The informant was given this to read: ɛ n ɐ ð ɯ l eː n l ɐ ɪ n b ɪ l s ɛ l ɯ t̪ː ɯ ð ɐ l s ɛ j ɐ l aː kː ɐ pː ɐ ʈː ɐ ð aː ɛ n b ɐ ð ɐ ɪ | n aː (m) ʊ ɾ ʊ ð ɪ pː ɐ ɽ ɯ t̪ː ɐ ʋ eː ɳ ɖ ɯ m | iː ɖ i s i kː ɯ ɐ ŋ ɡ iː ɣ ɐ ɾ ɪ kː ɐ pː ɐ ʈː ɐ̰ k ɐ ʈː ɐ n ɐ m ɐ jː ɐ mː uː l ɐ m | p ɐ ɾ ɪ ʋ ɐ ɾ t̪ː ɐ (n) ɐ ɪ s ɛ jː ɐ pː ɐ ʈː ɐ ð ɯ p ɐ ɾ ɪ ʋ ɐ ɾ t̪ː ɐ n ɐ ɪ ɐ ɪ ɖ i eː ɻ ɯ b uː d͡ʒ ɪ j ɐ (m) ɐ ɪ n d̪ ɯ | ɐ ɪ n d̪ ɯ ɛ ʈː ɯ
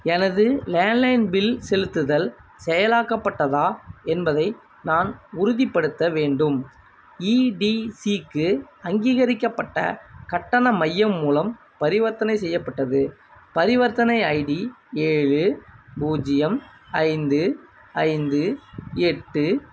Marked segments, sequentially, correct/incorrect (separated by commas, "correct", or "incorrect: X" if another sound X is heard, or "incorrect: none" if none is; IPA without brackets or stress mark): incorrect: n, correct, correct